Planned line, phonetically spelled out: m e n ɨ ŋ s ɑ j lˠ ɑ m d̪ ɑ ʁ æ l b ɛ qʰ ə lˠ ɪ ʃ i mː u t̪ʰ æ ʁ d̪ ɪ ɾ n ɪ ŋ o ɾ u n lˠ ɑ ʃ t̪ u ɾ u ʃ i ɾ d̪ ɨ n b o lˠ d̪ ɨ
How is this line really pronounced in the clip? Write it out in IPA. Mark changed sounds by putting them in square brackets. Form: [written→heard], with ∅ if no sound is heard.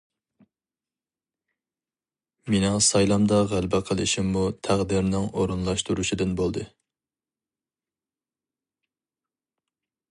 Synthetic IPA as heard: m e n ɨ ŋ s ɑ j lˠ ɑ m d̪ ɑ ʁ æ l b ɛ qʰ ə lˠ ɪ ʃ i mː u t̪ʰ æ ʁ d̪ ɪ ɾ n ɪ ŋ o ɾ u n lˠ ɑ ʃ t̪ u ɾ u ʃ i [ɾ→∅] d̪ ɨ n b o lˠ d̪ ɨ